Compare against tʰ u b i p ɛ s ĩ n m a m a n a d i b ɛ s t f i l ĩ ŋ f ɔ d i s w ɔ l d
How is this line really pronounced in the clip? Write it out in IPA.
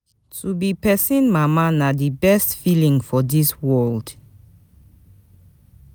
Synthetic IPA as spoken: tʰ u b i p ɛ s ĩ n m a m a n a d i b ɛ s t f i l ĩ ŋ f ɔ d i s w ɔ l d

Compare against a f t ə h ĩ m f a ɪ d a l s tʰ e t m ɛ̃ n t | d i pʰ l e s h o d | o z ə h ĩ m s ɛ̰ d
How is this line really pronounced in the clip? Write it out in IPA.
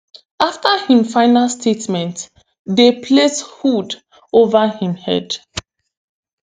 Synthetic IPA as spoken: a f t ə h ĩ m f a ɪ n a l s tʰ e t m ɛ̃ n t | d e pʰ l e s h u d | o v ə h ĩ m h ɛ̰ d

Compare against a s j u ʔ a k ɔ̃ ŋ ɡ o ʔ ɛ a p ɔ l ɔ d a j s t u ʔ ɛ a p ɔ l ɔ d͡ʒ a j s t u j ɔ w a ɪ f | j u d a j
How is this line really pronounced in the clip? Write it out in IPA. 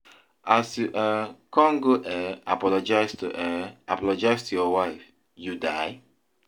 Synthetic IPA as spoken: a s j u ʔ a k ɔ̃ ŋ ɡ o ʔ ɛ a p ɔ l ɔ d͡ʒ a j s t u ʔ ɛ a p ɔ l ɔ d͡ʒ a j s t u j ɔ w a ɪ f | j u d a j

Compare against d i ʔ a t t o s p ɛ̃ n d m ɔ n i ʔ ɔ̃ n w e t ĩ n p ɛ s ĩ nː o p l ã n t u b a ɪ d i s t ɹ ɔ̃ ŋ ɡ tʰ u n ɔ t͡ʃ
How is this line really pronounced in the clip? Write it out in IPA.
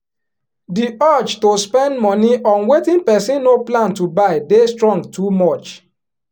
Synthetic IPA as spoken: d i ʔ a t͡ʃ t o s p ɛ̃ n d m ɔ n i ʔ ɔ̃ n w e t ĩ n p ɛ s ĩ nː o p l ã n t u b a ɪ d e s t ɹ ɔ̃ ŋ ɡ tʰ u m ɔ t͡ʃ

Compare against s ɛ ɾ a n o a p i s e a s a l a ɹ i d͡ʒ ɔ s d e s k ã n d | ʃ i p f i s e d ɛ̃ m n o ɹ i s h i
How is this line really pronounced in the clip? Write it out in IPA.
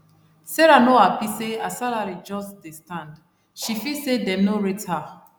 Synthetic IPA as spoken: s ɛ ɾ a n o a p i s e a s a l a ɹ i d͡ʒ ɔ s d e s t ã n d | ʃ i f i s e d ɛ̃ m n o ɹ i t h a

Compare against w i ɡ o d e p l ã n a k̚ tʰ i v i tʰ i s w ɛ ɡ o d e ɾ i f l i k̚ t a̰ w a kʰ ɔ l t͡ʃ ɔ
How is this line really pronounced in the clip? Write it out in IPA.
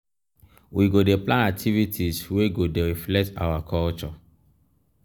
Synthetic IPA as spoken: w i ɡ o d e p l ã n a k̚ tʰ i v i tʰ i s w e ɡ o d e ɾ i f l ɛ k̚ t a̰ w a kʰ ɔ l t͡ʃ ɔ

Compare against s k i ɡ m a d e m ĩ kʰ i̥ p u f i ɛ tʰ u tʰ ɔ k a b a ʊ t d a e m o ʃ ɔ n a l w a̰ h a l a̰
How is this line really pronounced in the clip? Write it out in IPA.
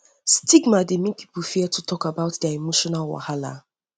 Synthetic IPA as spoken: s t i ɡ m a d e m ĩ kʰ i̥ p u f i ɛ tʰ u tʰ ɔ k a b a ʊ t d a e m o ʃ ɔ n a l w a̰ h a l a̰

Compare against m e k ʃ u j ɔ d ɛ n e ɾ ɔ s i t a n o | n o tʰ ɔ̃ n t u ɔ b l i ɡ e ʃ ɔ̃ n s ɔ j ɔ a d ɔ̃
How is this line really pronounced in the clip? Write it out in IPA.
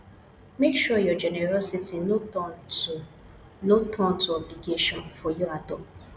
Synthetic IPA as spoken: m e k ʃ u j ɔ d͡ʒ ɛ n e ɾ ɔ s i t i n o | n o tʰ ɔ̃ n t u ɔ b l i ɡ e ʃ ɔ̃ n f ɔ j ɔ a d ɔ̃

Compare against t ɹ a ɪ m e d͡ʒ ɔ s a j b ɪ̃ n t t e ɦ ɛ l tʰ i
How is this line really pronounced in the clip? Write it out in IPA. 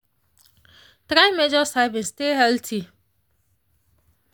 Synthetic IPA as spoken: t ɾ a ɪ m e d͡ʒ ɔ s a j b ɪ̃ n s t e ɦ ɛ l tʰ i

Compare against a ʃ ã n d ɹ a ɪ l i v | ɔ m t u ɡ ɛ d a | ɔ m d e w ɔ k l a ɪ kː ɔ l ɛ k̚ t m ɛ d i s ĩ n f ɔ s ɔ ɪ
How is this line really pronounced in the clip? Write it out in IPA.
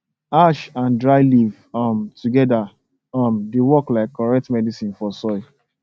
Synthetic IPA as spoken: a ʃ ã n d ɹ a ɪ l i v | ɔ m t u ɡ ɛ d a | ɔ m d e w ɔ k l a ɪ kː ɔ ɹ ɛ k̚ t m ɛ d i s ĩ n f ɔ s ɔ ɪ

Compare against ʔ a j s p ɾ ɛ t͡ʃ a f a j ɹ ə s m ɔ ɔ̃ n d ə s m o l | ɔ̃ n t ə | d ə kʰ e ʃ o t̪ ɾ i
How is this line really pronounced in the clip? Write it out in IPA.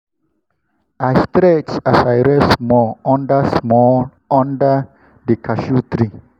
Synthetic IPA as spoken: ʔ a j s t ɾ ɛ t͡ʃ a s a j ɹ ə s m ɔ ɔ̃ n d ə s m ɔ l | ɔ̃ n d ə | d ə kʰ a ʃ u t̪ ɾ i

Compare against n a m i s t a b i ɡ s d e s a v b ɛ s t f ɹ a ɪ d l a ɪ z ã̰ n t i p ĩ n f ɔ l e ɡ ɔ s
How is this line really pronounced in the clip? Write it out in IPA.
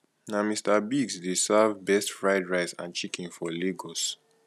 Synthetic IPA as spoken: n a m i s t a b i ɡ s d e s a v b ɛ s t f ɹ a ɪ d ɹ a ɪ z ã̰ n t͡ʃ i k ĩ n f ɔ l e ɡ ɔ s

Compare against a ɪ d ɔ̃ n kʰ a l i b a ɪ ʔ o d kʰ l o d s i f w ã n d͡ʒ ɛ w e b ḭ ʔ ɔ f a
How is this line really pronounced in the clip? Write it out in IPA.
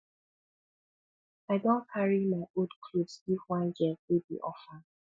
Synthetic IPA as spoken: a ɪ d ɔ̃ n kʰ a ɹ i m a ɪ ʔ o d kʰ l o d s i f w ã n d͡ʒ ɛ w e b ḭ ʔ ɔ f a

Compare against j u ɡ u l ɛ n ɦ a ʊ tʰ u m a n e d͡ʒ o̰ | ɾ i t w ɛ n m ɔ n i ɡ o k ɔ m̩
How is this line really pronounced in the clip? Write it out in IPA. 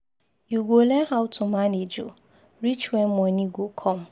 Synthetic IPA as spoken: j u ɡ o l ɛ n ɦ a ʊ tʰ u m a n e d͡ʒ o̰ | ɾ i t͡ʃ w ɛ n m ɔ n i ɡ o kʰ ɔ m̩

